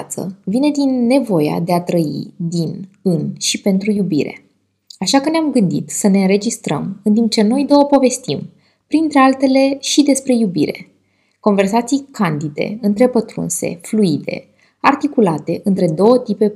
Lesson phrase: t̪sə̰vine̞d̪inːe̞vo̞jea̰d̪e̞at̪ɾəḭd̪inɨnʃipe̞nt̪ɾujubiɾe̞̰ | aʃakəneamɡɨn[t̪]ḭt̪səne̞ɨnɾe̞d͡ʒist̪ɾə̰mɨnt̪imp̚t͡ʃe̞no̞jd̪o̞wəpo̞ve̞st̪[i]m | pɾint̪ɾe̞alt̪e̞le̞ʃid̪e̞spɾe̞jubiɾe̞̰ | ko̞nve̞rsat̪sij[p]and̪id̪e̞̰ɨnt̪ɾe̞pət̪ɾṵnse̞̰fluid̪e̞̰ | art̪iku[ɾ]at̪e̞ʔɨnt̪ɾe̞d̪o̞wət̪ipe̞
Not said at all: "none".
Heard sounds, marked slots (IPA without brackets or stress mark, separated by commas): d̪, i, k, l